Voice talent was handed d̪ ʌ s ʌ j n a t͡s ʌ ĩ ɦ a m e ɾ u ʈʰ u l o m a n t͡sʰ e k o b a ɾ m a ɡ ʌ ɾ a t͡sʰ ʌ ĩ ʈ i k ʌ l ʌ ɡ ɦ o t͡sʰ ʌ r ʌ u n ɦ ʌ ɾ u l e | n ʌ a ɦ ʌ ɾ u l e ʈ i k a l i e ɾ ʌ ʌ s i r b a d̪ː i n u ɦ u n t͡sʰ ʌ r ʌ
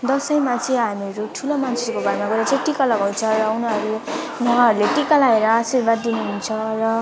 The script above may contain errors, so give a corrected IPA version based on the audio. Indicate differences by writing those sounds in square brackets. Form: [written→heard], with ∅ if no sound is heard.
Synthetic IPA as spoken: d̪ ʌ s ʌ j [n→m] a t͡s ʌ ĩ ɦ a m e ɾ u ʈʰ u l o m a n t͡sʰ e k o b a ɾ m a ɡ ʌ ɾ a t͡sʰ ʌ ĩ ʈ i k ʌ l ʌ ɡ ɦ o t͡sʰ ʌ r ʌ u n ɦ ʌ ɾ u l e | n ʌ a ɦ ʌ ɾ u l e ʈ i k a l [i→a] e ɾ ʌ [ʌ→a] s i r b a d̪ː i n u ɦ u n t͡sʰ ʌ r ʌ